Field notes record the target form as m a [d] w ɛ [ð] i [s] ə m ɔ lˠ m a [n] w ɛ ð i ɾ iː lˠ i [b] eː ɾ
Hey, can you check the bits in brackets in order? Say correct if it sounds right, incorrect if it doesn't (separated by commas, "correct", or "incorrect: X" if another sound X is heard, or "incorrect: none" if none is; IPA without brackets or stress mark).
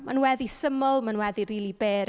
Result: incorrect: n, correct, correct, correct, correct